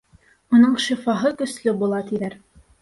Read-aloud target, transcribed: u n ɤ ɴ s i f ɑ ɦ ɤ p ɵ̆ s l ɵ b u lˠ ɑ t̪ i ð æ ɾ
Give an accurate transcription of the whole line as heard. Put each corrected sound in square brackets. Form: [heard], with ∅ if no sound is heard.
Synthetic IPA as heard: u n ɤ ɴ [ʃ] i f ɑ ɦ ɤ [k] ɵ̆ s l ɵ b u lˠ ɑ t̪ i ð æ ɾ

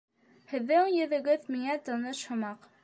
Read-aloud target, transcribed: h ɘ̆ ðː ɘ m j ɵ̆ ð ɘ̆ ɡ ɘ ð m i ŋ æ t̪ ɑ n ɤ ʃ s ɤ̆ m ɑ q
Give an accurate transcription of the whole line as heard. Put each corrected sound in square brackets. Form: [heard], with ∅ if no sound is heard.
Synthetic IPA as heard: h ɘ̆ ðː ɘ [ŋ] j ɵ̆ ð ɘ̆ ɡ ɘ ð m i ŋ æ t̪ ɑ n ɤ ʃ [h] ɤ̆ m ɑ q

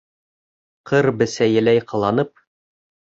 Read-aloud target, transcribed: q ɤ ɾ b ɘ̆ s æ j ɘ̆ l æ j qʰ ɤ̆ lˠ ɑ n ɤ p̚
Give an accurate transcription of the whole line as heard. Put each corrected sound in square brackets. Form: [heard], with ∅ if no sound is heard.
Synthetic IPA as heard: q ɤ ɾ b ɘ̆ s æ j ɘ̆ l æ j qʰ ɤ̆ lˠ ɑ n ɤ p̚

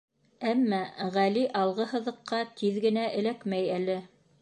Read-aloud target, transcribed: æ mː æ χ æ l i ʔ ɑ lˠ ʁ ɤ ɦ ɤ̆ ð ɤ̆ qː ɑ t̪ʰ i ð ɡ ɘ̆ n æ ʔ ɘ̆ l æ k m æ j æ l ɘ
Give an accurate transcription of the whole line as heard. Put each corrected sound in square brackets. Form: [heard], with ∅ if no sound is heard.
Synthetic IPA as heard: æ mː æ [ʁ] æ l i ʔ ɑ lˠ ʁ ɤ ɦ ɤ̆ ð ɤ̆ qː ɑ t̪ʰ i ð ɡ ɘ̆ n æ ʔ ɘ̆ l æ k m æ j æ l ɘ

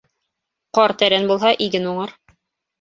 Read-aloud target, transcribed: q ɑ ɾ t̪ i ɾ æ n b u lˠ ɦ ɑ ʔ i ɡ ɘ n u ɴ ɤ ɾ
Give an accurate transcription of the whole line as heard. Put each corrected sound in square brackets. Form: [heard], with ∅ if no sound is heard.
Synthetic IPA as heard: q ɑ ɾ t̪ [æ] ɾ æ n b u lˠ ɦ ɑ ʔ i ɡ ɘ n u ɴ ɤ ɾ

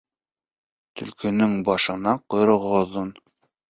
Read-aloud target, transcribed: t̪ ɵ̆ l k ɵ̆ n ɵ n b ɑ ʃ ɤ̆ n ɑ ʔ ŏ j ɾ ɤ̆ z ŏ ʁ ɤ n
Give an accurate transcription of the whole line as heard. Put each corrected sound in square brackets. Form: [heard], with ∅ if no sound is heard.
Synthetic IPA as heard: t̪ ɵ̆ l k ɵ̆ n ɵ [ŋ] b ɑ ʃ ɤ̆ n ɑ [q] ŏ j ɾ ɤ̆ [ʁ] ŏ [ð] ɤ n

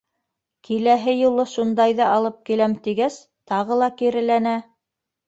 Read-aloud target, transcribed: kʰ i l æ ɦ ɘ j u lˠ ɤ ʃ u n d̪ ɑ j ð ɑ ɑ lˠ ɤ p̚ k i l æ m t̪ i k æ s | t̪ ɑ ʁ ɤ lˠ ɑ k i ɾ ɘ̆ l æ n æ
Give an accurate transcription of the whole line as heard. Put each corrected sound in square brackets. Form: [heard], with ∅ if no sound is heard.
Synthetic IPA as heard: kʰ i l æ ɦ ɘ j u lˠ ɤ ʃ u n d̪ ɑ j ð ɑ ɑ lˠ ɤ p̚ k i l æ m t̪ i [ɡ] æ s | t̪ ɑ ʁ ɤ lˠ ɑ k i ɾ ɘ̆ l æ n æ

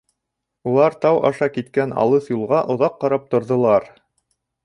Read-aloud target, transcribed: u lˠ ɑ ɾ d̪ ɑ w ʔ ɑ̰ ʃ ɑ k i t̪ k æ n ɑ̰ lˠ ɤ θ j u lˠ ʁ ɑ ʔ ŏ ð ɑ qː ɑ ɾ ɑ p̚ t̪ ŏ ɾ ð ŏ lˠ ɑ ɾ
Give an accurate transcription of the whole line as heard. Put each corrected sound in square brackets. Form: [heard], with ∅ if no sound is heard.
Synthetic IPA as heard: u lˠ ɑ ɾ [t̪] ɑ w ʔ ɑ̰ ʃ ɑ k i t̪ k æ n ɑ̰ lˠ ɤ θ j u lˠ ʁ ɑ ʔ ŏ ð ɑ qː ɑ ɾ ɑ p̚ t̪ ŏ ɾ ð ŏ lˠ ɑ ɾ

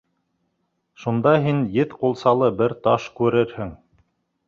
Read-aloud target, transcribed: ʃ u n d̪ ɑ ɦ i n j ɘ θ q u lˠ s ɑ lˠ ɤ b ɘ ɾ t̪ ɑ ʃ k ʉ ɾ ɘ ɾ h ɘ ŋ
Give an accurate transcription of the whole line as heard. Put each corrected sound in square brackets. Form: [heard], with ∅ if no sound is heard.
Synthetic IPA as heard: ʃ u n d̪ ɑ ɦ i n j ɘ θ q u lˠ s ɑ lˠ ɤ b ɘ ɾ t̪ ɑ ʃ k ʉ ɾ ɘ ɾ h ɘ ŋ

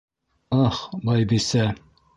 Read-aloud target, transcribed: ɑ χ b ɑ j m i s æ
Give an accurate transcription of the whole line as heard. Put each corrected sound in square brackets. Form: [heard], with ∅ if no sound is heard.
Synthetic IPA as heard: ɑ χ b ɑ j [b] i s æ

